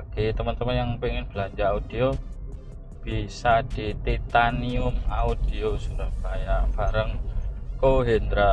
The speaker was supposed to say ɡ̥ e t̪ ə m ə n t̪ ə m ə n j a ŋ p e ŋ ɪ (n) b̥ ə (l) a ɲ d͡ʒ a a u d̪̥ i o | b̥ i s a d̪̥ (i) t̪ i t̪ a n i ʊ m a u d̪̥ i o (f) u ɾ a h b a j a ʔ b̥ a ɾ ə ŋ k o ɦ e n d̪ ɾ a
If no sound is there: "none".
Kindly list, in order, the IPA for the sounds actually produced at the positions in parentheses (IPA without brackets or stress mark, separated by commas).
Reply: n, l, i, s